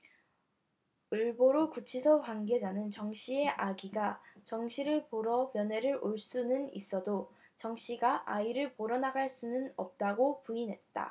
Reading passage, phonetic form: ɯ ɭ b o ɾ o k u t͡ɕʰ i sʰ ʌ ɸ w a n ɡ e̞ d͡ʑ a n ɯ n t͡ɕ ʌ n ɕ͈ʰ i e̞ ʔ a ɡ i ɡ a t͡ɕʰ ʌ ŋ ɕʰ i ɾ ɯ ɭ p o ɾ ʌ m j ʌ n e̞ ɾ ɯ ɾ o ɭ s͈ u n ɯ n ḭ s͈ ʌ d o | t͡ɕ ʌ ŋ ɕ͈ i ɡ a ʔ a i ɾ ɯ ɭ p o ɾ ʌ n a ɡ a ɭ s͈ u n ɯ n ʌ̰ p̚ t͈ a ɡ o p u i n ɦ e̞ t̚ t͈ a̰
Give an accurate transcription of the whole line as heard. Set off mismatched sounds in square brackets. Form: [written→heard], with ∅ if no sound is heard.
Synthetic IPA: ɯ ɭ b o ɾ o k u t͡ɕʰ i sʰ ʌ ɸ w a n ɡ e̞ d͡ʑ a n ɯ n t͡ɕ ʌ [n→ŋ] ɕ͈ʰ i e̞ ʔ a ɡ i ɡ a [t͡ɕʰ→t͡ɕ] ʌ ŋ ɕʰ i ɾ ɯ ɭ p o ɾ ʌ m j ʌ n e̞ ɾ ɯ ɾ o ɭ s͈ u n ɯ n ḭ s͈ ʌ d o | t͡ɕ ʌ ŋ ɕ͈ i ɡ a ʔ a i ɾ ɯ ɭ p o ɾ ʌ n a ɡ a ɭ s͈ u n ɯ n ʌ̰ p̚ t͈ a ɡ o p u i n ɦ e̞ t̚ t͈ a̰